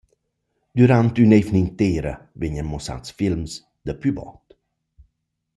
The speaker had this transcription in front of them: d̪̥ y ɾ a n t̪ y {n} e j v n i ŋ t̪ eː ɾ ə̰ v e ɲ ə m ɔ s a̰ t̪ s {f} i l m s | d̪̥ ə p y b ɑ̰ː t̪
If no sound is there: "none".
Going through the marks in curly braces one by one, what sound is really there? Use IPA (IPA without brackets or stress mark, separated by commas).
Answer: n, f